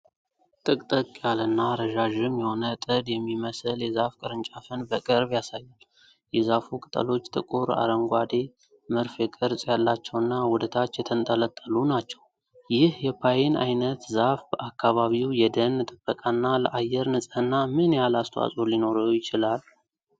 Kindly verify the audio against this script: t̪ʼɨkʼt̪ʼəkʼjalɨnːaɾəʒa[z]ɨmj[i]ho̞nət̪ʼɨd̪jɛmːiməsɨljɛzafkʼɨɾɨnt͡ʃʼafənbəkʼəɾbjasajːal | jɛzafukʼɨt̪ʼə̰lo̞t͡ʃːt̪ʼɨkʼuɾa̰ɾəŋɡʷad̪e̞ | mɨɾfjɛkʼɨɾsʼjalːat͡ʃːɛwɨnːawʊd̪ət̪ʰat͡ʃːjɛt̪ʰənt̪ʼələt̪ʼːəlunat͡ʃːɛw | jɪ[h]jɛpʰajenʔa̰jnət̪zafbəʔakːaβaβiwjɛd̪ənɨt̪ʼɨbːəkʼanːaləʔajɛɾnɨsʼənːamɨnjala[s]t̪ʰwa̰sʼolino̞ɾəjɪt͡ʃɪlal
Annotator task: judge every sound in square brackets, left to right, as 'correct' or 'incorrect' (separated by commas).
incorrect, incorrect, correct, correct